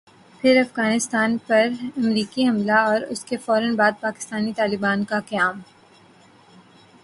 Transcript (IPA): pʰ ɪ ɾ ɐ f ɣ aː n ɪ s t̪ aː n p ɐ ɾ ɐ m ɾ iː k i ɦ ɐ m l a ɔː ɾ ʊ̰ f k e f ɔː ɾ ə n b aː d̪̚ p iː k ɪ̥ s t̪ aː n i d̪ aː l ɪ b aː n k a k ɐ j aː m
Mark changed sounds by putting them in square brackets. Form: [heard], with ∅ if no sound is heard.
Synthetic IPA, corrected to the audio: pʰ ɪ ɾ ɐ f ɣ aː n ɪ s t̪ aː n p ɐ ɾ ɐ m ɾ iː k i ɦ ɐ m l a ɔː ɾ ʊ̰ [s] k e f ɔː ɾ ə n b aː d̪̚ p [aː] k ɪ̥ s t̪ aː n i [t̪] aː l ɪ b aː n k a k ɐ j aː m